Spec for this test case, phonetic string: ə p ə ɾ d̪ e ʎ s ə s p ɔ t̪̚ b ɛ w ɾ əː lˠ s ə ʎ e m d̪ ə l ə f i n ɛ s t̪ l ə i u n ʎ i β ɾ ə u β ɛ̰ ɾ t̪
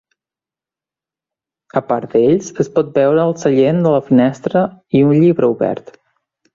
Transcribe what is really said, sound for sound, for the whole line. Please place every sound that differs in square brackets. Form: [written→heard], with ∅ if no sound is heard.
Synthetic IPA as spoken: ə p [ə→a] ɾ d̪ e ʎ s ə s p ɔ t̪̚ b ɛ w ɾ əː lˠ s ə ʎ e [m→n] d̪ ə l ə f i n ɛ s t̪ [l→ɾ] ə i u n ʎ i β ɾ ə u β ɛ̰ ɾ t̪